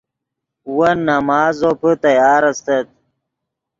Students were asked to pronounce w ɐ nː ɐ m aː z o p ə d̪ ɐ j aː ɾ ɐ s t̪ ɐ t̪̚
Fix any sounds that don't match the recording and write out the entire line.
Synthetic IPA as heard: w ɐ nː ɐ m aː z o p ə t̪ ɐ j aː ɾ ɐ s t̪ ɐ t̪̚

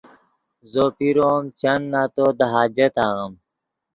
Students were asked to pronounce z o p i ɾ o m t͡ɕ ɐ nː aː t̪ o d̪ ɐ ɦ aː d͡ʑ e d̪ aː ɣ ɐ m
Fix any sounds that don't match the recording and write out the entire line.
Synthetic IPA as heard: z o p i ɾ o m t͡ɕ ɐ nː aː t̪ o d̪ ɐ ɦ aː d͡ʑ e t̪ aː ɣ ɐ m

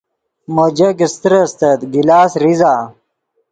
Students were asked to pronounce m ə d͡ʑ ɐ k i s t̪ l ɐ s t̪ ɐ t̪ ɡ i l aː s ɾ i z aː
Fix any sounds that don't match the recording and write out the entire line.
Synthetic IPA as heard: m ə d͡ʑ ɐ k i s t̪ ɾ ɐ s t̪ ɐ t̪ ɡ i l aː s ɾ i z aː

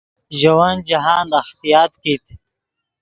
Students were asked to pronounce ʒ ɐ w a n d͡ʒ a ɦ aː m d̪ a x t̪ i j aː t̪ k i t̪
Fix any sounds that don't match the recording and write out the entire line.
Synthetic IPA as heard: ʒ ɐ w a n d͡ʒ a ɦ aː n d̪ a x t̪ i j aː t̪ k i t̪

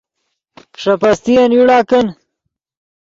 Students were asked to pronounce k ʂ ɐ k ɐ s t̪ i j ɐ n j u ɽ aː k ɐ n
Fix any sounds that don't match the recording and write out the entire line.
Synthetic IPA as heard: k ʂ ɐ p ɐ s t̪ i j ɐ n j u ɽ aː k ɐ n

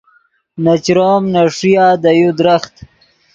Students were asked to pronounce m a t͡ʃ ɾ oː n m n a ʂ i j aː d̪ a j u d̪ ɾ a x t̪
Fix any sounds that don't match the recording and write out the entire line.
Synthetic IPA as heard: n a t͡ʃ ɾ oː m n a ʂ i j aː d̪ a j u d̪ ɾ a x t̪

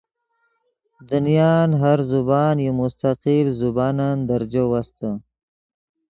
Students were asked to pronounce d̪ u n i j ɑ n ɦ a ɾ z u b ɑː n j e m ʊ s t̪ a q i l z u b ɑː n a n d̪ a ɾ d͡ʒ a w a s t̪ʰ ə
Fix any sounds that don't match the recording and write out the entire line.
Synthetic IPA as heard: d̪ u n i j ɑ n ɦ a ɾ z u b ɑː n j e m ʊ s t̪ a q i l z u b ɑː n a n d̪ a ɾ d͡ʒ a w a s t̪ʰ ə

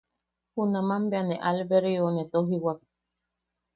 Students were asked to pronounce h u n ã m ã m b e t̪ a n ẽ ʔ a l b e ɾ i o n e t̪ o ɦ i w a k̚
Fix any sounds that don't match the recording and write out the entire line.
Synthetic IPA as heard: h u n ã m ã m b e a n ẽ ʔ a l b e ɾ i o n e t̪ o ɦ i w a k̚

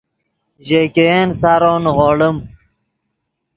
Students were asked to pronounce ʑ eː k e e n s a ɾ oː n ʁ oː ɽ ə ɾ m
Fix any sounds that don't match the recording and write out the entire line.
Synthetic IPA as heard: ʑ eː k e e n s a ɾ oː n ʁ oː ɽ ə m

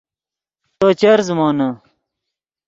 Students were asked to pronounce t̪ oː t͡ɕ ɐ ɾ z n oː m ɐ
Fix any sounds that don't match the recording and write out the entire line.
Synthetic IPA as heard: t̪ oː t͡ɕ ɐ ɾ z m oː n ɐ

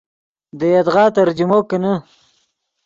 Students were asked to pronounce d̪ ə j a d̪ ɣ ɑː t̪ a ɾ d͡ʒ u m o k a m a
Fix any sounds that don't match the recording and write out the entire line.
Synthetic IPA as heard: d̪ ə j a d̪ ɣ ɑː t̪ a ɾ d͡ʒ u m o k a n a

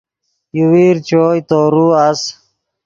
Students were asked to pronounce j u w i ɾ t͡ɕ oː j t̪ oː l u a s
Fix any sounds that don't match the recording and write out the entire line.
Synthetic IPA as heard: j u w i ɾ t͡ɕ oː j t̪ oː ɾ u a s

